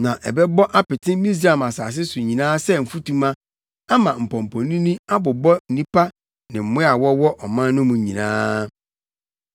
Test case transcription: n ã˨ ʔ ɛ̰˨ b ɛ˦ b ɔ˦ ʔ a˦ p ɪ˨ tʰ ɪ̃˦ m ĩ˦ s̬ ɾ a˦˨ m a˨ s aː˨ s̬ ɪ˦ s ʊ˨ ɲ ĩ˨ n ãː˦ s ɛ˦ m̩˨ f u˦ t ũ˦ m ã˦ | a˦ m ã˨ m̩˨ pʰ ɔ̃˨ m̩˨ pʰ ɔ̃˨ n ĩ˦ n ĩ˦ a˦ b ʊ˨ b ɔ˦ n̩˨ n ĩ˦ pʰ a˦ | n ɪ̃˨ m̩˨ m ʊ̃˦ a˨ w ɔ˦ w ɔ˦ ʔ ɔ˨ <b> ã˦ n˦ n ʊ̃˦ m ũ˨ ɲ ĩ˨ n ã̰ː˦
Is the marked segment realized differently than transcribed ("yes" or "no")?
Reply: yes